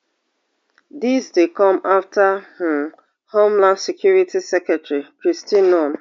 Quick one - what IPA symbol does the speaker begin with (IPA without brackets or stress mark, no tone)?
d